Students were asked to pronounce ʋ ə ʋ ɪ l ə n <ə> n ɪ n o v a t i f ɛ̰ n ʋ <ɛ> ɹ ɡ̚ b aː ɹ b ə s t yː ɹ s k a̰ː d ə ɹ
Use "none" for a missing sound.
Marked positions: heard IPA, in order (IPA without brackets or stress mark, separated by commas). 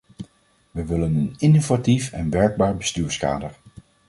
ə, ɛ